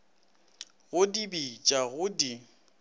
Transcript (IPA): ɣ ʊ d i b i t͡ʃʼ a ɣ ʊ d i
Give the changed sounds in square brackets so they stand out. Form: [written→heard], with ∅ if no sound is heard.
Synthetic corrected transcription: ɣ ʊ d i b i t͡ʃʼ a ɣ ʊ d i